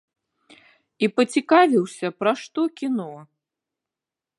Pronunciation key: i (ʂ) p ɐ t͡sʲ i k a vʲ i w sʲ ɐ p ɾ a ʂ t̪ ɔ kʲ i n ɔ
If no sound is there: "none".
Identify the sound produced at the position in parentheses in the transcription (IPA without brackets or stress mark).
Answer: none